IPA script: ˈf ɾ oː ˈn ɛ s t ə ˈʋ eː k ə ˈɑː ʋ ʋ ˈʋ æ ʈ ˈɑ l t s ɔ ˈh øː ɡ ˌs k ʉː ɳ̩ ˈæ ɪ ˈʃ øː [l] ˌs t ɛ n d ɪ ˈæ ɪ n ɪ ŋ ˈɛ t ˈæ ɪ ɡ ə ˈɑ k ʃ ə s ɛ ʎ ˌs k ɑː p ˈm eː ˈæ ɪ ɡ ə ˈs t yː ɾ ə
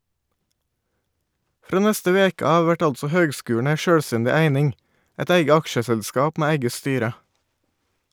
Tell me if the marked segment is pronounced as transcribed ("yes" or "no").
no